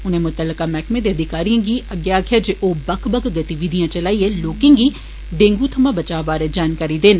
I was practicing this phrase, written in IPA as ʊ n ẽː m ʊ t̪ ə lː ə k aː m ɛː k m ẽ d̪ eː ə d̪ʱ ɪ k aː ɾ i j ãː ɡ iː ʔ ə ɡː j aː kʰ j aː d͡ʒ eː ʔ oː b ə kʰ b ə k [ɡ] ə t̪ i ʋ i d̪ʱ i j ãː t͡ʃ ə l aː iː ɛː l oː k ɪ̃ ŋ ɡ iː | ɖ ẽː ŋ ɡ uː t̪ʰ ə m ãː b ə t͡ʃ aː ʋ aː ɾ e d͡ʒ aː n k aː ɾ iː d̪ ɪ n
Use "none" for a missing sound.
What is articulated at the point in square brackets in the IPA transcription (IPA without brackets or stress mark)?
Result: ɡ